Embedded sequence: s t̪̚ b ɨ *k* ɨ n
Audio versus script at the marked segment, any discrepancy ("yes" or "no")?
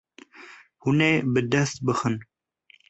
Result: yes